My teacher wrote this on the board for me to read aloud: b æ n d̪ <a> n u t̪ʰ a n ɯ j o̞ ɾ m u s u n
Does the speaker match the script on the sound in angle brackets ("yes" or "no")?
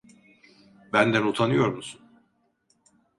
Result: no